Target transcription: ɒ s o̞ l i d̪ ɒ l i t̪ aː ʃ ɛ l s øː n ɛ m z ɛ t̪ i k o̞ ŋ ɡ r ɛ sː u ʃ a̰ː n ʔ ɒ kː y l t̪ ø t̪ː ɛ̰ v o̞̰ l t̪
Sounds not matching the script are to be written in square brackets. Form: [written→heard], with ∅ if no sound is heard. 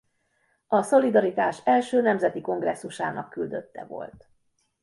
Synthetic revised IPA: ɒ s o̞ l i d̪ ɒ [l→ɾ] i t̪ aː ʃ ɛ l [s→ʃ] øː n ɛ m z ɛ t̪ i k o̞ ŋ ɡ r ɛ sː u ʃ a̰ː n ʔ ɒ kː y l [t̪→d̪] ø t̪ː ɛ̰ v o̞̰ l t̪